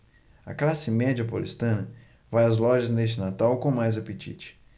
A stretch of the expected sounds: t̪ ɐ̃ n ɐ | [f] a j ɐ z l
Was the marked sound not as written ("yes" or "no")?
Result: yes